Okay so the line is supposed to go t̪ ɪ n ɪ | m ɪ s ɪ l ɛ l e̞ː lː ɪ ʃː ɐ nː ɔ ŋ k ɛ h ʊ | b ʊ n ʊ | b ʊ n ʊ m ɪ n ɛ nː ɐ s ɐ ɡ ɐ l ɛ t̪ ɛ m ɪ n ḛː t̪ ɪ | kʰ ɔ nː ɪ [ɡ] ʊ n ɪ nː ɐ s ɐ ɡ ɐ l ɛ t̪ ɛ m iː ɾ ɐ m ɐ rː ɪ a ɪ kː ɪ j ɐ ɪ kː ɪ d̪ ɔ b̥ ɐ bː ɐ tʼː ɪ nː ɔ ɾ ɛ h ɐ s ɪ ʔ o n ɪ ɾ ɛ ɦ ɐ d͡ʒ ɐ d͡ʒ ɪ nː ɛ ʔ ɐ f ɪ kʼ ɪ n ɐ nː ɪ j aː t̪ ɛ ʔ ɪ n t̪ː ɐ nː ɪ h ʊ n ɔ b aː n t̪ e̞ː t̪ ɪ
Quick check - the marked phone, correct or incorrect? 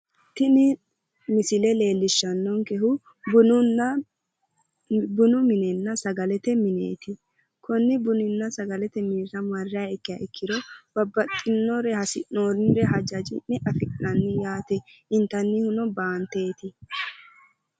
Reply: incorrect